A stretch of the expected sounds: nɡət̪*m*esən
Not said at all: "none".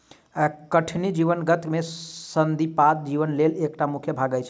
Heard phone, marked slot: m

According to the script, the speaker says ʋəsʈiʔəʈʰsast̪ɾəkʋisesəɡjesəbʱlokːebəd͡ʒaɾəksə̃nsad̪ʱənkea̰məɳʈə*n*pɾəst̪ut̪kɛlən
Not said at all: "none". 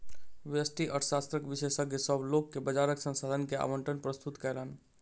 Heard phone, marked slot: n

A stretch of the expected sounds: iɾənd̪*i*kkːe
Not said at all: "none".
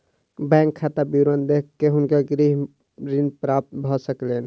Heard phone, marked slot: e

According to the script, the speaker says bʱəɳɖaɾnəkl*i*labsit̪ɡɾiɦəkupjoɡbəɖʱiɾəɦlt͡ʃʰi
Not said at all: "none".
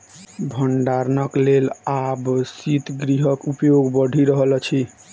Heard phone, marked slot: e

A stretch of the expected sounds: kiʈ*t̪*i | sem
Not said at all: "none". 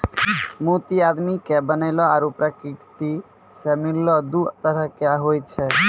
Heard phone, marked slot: t̪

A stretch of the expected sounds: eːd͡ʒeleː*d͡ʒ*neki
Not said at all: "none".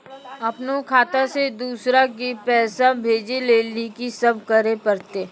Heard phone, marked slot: none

